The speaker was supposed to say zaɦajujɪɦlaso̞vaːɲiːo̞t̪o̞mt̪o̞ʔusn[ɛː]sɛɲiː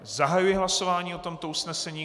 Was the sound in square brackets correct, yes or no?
no